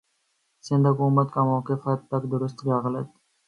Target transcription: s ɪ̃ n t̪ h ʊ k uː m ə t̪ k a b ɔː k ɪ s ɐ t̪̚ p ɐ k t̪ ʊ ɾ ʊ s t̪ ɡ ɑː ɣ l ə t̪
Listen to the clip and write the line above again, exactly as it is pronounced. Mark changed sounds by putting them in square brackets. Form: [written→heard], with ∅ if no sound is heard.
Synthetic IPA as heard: s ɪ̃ n [t̪→d̪] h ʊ k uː m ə t̪ k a [b→m] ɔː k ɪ [s→f] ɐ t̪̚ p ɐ k [t̪→d̪] ʊ ɾ ʊ s t̪ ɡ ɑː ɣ l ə t̪